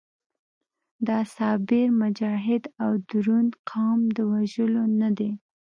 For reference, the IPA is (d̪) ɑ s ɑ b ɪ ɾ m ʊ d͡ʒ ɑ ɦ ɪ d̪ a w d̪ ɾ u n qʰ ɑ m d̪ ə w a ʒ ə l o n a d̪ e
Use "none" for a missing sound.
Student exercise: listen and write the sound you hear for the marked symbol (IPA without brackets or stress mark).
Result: d̪